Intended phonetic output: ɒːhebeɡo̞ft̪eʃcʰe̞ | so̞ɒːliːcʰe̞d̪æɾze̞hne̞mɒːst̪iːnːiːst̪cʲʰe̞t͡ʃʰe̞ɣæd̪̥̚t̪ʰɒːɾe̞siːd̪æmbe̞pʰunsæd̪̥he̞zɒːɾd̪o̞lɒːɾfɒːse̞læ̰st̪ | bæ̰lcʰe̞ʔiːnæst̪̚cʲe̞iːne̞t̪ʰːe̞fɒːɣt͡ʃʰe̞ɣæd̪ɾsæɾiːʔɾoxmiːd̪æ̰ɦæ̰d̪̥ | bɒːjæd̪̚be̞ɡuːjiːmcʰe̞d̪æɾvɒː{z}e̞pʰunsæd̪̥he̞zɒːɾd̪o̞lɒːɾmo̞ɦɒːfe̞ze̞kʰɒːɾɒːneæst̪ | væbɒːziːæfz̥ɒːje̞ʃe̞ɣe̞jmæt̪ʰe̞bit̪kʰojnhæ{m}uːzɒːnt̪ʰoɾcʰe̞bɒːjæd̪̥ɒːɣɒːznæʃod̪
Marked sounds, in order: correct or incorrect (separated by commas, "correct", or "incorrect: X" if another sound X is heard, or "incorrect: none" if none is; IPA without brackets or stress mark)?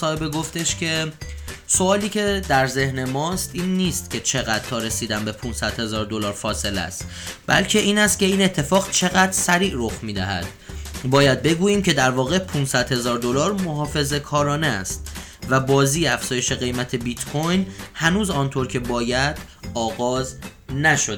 incorrect: ɣ, incorrect: n